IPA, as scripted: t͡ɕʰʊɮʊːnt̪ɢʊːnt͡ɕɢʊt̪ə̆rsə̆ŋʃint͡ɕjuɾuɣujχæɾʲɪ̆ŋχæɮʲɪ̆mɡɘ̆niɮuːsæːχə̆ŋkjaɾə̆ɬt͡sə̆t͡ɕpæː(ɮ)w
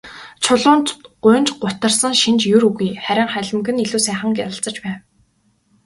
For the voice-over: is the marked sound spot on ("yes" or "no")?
no